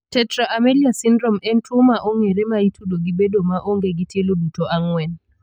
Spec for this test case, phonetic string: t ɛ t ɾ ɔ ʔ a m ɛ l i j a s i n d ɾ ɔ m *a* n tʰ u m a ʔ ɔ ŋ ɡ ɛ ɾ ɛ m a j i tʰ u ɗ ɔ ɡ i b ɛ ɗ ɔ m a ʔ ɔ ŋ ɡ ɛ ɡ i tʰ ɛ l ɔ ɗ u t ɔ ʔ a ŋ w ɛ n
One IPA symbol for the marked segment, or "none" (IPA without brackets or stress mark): ɛ